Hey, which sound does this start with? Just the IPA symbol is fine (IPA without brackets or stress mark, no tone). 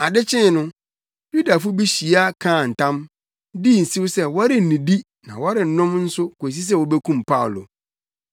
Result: a